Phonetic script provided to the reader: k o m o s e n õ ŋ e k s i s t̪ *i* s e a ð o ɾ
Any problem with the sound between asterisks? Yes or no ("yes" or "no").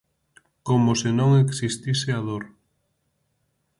no